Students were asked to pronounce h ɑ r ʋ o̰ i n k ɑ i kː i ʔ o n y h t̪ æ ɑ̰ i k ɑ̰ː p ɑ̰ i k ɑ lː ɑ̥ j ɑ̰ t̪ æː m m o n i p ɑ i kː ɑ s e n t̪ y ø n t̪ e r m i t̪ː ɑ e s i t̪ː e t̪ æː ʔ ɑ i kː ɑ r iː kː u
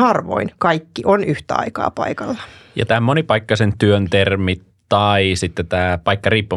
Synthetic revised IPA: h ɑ r ʋ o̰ i n k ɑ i kː i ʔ o n y h t̪ æ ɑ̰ i k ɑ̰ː p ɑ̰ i k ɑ lː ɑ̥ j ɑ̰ t̪ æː m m o n i p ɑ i kː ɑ s e n t̪ y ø n t̪ e r m i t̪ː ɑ i s i t̪ː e t̪ æː p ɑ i kː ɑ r iː pː u